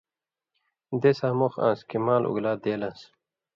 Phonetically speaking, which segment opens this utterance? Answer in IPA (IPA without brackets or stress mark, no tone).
d̪